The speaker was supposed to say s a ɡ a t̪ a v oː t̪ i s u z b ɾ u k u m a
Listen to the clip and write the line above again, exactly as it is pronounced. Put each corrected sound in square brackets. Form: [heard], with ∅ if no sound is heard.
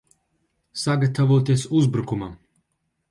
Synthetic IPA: s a ɡ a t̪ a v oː t̪ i s u z b ɾ u k u m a